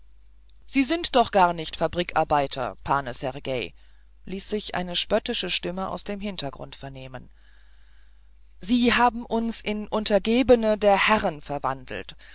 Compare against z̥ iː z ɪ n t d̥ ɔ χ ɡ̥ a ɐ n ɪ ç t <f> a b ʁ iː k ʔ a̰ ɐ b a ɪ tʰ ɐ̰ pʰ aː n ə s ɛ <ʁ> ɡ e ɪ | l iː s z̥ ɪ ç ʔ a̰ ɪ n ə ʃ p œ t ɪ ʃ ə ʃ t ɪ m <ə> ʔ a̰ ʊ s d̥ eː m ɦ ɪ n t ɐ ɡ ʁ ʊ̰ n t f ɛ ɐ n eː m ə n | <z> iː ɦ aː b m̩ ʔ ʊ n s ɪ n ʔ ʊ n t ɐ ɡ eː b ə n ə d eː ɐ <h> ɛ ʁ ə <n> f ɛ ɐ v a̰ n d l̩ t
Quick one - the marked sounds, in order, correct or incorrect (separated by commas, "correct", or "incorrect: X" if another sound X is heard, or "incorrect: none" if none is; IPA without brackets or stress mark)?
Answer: correct, correct, correct, correct, correct, correct